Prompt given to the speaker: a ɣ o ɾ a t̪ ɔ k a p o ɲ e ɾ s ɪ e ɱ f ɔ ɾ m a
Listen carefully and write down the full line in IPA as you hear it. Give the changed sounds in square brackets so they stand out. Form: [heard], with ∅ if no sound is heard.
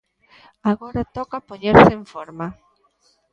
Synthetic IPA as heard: a ɣ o ɾ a t̪ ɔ k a p o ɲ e ɾ s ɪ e ɱ f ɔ ɾ m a